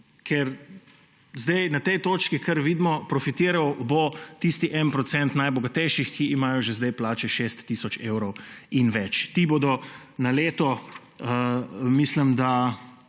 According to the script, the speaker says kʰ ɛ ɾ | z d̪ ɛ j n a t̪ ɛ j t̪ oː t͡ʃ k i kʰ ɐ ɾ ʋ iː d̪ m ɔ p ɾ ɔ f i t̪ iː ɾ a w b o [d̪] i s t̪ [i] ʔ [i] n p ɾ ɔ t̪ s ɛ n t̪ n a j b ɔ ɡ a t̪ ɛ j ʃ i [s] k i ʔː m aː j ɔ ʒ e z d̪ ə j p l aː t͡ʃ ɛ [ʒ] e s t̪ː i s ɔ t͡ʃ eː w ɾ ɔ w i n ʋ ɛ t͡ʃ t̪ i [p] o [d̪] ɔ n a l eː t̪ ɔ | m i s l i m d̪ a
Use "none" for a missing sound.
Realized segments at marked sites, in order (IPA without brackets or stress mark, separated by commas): t̪, i, ɛ, x, ʃ, b, d̪